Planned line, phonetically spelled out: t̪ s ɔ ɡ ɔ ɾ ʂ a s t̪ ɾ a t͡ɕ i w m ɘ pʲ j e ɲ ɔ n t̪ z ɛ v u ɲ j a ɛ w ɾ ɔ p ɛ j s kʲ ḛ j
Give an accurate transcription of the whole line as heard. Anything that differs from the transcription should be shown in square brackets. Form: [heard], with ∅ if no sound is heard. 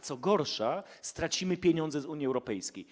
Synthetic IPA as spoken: t̪ s ɔ ɡ ɔ ɾ ʂ a s t̪ ɾ a t͡ɕ i [∅] m ɘ pʲ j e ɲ ɔ n [d̪] z ɛ [z] u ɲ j [i] ɛ w ɾ ɔ p ɛ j s kʲ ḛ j